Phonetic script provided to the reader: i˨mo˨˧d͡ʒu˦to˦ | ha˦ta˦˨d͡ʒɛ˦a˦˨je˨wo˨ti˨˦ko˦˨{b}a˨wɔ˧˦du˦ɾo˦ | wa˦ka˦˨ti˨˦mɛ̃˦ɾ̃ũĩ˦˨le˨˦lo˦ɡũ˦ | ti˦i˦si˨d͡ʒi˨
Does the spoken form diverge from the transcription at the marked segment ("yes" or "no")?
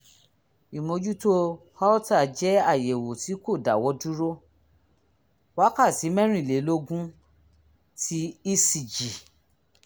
yes